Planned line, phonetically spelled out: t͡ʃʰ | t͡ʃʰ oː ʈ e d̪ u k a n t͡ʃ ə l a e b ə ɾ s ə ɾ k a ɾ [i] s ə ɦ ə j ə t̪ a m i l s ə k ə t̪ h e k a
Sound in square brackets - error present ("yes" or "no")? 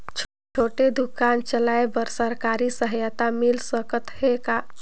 no